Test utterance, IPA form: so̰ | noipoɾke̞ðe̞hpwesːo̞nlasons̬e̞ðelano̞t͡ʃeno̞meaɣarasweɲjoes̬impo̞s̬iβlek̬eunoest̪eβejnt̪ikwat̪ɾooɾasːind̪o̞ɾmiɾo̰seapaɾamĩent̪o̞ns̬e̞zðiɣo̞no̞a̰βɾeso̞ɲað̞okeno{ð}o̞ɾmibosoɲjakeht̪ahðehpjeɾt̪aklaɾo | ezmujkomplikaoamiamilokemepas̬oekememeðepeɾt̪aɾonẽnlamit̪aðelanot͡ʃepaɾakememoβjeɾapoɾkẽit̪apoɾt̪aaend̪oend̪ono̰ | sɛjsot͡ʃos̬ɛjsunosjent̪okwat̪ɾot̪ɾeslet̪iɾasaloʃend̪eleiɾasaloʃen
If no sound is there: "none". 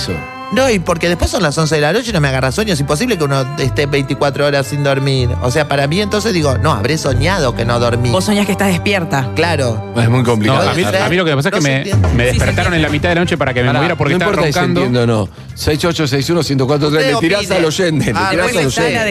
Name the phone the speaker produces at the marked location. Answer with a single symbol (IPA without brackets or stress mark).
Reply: ð